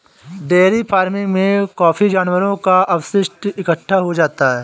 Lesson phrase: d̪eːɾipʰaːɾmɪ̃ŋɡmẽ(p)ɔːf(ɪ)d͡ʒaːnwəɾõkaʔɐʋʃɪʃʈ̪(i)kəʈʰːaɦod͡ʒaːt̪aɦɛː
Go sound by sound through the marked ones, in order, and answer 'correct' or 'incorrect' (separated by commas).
incorrect, incorrect, incorrect